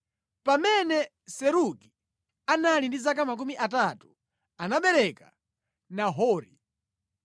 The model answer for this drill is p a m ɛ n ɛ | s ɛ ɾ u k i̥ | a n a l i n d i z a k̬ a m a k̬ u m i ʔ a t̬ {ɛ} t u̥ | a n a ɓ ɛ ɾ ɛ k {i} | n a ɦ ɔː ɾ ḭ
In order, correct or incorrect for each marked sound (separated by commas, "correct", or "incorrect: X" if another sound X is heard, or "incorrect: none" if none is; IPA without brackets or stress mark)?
incorrect: a, incorrect: a